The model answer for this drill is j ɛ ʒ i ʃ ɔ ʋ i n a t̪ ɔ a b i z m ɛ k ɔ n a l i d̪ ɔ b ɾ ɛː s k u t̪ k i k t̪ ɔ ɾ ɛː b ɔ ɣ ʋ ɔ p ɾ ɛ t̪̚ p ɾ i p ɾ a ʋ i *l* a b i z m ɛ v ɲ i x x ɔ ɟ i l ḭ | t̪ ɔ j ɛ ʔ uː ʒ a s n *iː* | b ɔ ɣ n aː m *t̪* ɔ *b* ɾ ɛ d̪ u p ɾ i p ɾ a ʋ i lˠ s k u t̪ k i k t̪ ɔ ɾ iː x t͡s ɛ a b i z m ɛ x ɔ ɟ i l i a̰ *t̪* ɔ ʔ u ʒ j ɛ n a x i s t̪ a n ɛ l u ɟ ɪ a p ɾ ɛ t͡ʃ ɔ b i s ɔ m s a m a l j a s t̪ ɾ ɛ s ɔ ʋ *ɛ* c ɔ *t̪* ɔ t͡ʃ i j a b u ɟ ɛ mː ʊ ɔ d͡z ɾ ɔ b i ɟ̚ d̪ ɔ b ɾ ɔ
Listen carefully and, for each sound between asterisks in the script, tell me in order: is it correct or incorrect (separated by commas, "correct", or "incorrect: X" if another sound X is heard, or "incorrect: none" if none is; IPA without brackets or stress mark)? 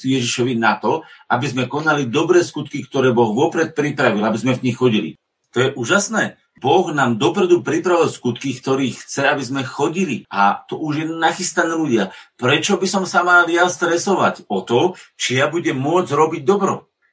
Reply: correct, incorrect: ɛː, incorrect: d̪, incorrect: p, correct, incorrect: a, correct